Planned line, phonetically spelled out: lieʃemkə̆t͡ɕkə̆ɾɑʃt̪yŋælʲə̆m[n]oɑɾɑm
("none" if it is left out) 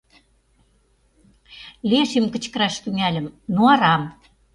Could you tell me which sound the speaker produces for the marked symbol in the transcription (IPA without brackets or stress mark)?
n